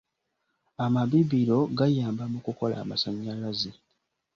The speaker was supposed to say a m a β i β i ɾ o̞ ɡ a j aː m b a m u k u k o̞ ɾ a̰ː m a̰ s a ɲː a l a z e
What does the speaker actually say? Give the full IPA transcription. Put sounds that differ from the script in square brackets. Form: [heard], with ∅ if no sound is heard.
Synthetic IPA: a m a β i β i ɾ o̞ ɡ a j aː m b a m u k u k o̞ [l] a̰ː m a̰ s a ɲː a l a z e

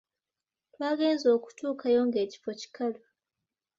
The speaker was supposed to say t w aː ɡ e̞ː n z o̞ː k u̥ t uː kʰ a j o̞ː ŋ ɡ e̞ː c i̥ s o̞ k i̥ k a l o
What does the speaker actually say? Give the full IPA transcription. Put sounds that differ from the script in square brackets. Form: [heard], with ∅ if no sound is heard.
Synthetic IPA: t w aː ɡ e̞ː n z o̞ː k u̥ t uː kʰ a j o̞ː ŋ ɡ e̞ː c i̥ [f] o̞ [c] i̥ k a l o

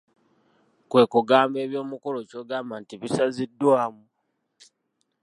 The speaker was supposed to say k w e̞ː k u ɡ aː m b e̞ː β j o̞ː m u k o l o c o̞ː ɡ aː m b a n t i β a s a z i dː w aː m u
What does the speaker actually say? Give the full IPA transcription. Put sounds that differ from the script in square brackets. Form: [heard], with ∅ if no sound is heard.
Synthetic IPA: k w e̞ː k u ɡ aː m b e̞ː β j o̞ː m u k o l o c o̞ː ɡ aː m b a n t i β [i] s a z i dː w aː m u

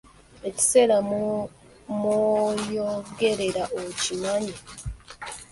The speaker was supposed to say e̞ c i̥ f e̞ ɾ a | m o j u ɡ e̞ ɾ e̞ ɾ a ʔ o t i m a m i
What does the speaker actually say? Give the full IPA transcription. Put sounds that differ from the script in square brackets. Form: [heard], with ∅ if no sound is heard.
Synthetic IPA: e̞ c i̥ [s] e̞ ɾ a | m o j [o] ɡ e̞ ɾ e̞ ɾ a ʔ o [c] i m a [ɲ] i

